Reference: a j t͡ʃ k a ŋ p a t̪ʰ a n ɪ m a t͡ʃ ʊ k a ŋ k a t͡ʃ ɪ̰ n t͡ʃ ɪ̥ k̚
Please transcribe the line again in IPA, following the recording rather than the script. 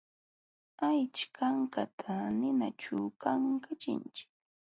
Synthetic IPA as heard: a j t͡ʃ k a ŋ k a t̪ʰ a n ɪ n a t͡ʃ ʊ k a ŋ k a t͡ʃ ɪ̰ n t͡ʃ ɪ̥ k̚